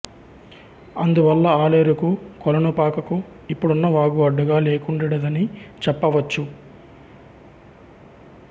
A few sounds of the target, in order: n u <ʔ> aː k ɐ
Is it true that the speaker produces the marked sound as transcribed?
no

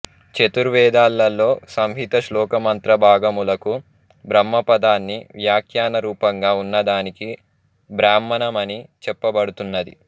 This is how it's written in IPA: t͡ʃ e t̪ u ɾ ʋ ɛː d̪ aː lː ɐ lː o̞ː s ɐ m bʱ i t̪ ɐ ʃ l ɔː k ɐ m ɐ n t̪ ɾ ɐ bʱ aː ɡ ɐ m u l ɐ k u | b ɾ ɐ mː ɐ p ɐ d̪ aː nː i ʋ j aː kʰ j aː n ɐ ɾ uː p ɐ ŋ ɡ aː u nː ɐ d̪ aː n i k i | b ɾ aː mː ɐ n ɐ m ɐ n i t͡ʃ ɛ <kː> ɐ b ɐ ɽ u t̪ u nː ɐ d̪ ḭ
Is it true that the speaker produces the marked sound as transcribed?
no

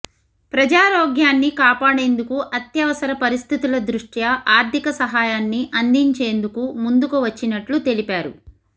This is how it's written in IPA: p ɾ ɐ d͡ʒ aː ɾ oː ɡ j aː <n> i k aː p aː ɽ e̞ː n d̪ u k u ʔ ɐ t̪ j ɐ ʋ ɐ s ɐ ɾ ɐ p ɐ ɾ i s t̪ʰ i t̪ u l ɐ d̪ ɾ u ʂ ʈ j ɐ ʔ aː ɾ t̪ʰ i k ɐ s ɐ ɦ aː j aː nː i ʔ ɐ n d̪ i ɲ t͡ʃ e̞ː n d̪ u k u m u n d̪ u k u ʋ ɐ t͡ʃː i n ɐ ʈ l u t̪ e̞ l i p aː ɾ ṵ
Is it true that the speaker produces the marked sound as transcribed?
no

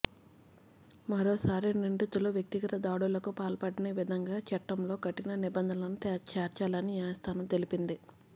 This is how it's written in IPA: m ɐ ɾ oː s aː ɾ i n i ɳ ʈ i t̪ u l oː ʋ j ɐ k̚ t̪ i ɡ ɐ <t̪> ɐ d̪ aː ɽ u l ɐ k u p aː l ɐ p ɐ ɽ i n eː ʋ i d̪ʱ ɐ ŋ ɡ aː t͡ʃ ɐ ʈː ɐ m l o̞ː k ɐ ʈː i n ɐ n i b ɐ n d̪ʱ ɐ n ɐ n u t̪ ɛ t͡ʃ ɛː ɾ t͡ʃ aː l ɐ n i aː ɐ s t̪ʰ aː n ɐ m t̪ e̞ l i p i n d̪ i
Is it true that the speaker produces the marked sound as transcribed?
yes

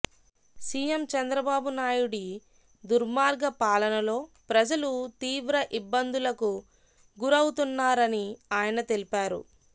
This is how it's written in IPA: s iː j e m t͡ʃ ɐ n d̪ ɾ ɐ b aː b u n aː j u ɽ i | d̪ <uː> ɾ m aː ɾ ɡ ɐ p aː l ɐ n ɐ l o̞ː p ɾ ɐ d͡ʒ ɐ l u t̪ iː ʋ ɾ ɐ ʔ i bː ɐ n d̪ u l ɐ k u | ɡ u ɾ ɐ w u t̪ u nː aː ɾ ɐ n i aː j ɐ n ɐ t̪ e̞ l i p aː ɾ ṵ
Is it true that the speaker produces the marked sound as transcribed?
no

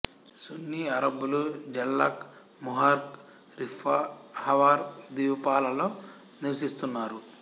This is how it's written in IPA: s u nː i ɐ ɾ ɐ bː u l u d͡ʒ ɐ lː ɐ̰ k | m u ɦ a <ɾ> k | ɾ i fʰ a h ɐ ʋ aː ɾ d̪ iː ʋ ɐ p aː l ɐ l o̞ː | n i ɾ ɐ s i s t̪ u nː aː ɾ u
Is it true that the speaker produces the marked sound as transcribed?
yes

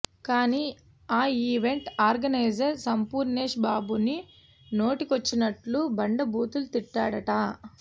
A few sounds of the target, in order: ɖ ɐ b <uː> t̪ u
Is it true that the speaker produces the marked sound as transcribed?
yes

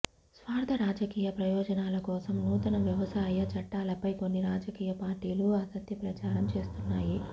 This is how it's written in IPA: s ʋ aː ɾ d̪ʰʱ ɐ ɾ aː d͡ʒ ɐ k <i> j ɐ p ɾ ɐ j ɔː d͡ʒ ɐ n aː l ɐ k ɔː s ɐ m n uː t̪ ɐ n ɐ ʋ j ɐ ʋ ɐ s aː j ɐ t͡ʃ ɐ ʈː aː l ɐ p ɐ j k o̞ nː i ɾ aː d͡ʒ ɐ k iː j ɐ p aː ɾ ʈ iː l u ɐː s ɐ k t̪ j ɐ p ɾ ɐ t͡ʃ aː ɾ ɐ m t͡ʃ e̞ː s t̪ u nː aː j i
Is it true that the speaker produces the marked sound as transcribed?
no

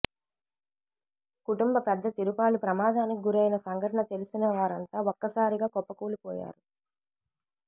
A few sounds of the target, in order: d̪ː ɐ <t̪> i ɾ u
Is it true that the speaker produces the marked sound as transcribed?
yes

